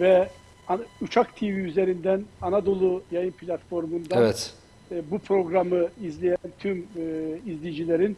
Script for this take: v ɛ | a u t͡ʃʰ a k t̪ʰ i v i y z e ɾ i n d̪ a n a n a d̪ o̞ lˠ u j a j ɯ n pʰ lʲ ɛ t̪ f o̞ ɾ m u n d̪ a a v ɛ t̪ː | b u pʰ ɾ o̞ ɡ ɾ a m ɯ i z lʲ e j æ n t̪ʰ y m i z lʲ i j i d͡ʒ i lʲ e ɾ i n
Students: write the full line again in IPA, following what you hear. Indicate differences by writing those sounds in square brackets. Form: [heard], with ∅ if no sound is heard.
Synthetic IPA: v ɛ | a u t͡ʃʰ a k t̪ʰ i v i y z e ɾ i n d̪ [æ] n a n a d̪ o̞ lˠ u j a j ɯ n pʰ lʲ [a] t̪ f o̞ ɾ m u n d̪ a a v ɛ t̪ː | b u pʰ ɾ o̞ ɡ ɾ a m ɯ i z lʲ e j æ n t̪ʰ y m i z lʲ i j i d͡ʒ i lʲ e ɾ i n